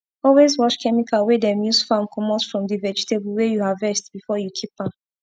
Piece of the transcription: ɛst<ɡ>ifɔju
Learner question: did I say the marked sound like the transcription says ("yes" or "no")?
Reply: no